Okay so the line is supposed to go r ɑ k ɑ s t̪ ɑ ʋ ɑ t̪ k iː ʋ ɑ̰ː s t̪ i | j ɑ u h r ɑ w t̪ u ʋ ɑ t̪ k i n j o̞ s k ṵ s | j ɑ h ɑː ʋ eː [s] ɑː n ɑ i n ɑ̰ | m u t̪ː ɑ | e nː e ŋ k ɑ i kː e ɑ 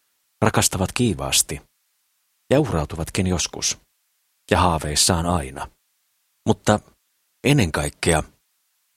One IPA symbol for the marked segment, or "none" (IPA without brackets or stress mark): sː